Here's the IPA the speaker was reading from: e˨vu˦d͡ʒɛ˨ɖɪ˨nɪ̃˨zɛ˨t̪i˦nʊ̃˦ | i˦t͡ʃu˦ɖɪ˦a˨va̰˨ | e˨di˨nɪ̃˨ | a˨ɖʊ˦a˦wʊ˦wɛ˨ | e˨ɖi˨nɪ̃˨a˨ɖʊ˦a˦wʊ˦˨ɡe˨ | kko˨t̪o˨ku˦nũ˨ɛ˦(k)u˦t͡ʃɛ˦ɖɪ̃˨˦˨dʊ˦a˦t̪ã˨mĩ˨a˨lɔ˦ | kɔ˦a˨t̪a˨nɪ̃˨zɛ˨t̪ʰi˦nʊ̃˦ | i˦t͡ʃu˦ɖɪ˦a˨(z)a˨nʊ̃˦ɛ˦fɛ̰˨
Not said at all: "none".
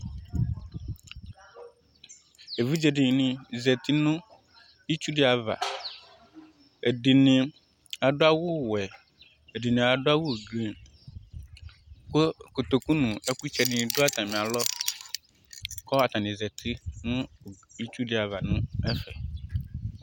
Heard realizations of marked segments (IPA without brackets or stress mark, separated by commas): k, v